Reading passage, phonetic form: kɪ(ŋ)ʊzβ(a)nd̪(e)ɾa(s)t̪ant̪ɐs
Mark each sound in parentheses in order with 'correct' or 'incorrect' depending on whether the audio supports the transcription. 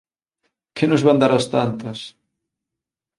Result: incorrect: n, correct, incorrect: a, correct

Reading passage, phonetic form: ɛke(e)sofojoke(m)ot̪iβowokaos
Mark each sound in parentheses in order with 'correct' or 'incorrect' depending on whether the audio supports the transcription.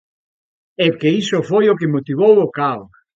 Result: incorrect: i, correct

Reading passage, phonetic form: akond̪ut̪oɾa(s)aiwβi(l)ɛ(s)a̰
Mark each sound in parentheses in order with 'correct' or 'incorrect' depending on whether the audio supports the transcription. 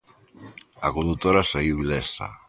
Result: correct, correct, correct

